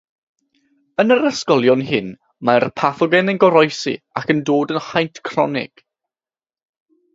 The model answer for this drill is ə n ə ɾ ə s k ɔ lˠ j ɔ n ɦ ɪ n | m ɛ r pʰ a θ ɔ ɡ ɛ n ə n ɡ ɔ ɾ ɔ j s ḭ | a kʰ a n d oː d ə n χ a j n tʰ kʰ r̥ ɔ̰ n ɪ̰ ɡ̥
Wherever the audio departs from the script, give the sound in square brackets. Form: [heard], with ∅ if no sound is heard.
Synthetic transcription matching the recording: ə n ə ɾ ə s k ɔ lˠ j ɔ n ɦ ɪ n | m [a] r pʰ a θ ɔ ɡ ɛ n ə n ɡ ɔ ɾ ɔ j s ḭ | a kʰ [ə] n d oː d ə n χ a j n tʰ kʰ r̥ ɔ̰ n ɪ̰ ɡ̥